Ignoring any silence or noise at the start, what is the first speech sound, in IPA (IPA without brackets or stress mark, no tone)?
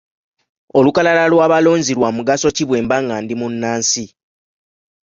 o̞